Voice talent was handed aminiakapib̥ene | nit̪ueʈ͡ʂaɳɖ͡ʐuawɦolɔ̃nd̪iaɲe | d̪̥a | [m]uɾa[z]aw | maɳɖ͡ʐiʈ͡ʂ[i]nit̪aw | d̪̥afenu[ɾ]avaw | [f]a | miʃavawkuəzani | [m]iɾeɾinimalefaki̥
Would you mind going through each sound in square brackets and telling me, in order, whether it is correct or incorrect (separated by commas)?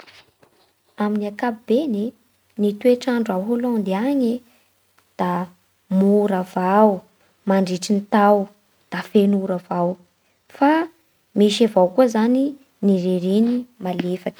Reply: correct, incorrect, correct, correct, correct, incorrect